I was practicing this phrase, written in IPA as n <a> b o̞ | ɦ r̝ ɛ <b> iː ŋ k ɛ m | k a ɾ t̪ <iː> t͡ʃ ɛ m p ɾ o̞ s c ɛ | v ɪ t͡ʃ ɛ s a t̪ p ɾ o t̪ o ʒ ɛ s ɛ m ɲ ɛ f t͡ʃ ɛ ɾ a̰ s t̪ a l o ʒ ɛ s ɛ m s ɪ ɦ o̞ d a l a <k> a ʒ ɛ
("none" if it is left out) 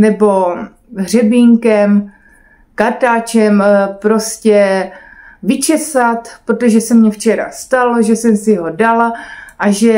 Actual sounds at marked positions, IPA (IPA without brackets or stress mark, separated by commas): ɛ, b, aː, ʔ